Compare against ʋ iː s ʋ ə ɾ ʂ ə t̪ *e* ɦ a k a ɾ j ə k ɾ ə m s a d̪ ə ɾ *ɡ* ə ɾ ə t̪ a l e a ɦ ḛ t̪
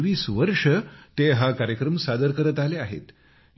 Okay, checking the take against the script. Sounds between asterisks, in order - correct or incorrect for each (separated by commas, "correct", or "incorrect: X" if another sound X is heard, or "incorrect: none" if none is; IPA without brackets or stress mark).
correct, incorrect: k